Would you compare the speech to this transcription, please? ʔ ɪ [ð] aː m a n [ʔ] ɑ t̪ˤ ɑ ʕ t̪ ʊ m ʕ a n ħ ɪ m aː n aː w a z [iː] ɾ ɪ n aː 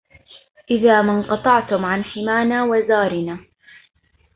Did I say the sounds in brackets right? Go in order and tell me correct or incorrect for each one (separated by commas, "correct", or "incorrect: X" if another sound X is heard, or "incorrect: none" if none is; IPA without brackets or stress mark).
correct, incorrect: q, incorrect: aː